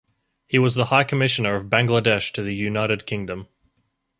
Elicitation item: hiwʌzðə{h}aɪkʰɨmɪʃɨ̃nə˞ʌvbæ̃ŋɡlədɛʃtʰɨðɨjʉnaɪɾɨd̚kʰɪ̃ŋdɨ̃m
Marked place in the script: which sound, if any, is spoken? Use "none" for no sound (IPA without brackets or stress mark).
h